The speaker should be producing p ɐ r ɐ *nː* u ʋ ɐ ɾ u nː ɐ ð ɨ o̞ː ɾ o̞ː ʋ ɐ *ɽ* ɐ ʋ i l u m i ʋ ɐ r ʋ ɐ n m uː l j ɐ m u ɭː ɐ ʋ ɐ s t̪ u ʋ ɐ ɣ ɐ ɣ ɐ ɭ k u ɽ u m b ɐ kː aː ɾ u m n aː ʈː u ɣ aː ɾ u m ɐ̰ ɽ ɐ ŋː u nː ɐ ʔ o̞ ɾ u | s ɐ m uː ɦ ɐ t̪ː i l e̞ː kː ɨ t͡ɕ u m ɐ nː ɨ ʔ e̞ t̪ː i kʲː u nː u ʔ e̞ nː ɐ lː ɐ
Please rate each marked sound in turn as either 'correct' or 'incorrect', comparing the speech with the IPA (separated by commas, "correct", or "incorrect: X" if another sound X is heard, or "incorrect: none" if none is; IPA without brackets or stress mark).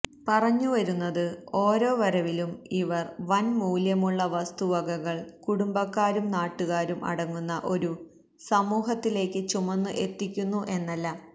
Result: incorrect: ɲː, incorrect: ɾ